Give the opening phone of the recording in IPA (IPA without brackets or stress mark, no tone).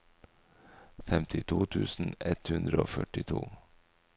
f